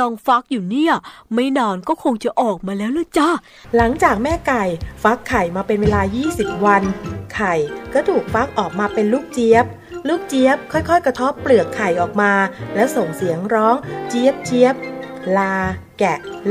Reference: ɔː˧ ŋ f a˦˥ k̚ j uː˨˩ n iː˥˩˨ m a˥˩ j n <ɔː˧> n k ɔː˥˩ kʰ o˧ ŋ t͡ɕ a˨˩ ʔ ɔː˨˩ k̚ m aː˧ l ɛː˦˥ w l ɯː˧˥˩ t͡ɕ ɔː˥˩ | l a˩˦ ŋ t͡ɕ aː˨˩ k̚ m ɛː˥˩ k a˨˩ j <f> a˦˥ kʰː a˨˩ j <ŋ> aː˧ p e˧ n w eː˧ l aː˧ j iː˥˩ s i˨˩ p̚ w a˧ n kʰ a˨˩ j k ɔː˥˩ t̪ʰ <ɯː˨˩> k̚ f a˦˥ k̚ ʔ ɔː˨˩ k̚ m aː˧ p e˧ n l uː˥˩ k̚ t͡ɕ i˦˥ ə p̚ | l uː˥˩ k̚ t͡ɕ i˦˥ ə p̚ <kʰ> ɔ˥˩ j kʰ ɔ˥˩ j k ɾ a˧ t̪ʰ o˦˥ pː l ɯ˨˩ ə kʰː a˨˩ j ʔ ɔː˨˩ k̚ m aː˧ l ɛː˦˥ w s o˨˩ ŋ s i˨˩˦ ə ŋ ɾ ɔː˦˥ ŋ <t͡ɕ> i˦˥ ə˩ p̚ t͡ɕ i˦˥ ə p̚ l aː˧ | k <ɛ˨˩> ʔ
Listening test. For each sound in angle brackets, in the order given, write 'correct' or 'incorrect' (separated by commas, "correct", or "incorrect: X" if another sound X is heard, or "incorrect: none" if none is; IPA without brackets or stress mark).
correct, correct, incorrect: m, incorrect: uː˨˩, correct, correct, correct